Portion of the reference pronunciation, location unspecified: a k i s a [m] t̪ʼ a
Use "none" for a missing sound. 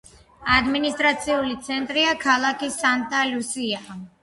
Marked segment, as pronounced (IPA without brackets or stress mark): n